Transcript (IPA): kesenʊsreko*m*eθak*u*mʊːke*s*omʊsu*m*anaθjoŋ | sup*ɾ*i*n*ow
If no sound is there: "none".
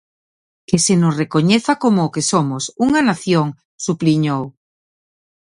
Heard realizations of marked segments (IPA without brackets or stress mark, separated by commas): ɲ, o, s, ŋ, l, ɲ